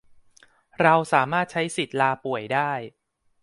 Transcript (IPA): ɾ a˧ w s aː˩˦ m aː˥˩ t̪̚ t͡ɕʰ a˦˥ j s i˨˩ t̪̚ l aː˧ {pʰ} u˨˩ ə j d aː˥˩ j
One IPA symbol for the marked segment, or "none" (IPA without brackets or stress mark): p